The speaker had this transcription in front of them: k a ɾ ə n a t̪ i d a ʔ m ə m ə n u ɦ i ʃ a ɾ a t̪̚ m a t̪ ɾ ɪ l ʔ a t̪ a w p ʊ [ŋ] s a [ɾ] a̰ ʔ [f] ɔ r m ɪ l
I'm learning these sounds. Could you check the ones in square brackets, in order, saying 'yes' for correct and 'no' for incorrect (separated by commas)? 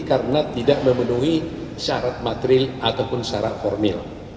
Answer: no, yes, yes